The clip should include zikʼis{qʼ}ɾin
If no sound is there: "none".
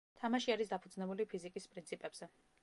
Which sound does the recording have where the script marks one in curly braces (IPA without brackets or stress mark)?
pʼ